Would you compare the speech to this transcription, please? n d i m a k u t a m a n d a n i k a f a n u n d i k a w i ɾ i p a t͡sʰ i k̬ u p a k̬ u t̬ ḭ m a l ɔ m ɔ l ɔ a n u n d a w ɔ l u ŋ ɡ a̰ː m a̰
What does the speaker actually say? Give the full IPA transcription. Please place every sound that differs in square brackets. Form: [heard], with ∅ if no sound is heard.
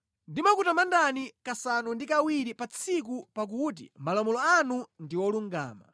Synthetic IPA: n d i m a k u t a m a n d a n i k a [s] a n u n d i k a w i ɾ i p a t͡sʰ i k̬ u p a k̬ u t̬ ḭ m a l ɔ m ɔ l ɔ a n u n d [i] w ɔ l u ŋ ɡ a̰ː m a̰